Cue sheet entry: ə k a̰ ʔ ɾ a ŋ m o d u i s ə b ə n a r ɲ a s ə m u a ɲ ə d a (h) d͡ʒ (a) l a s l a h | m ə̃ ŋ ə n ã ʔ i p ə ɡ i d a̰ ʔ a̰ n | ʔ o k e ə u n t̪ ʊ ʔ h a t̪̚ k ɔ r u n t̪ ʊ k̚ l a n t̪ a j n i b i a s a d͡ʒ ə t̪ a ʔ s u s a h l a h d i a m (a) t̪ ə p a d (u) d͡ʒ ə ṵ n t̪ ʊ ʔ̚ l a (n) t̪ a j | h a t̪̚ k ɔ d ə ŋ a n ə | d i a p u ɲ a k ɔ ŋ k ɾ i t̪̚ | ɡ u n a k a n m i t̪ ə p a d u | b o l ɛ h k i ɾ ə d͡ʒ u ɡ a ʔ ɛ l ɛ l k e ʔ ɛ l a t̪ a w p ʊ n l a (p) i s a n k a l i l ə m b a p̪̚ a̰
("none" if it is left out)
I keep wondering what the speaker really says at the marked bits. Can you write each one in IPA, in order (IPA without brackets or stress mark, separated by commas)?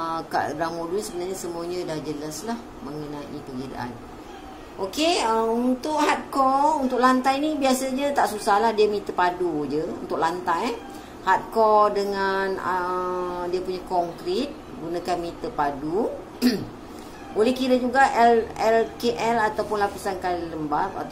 h, ə, i, u, n, p